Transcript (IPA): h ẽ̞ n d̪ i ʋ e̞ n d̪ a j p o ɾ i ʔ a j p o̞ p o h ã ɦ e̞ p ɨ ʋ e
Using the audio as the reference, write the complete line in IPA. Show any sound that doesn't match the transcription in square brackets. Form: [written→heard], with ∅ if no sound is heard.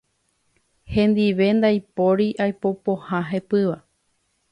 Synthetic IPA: h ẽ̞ n d̪ i ʋ e̞ n d̪ a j p o ɾ i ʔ a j p o̞ p o h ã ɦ e̞ p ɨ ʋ [e→a]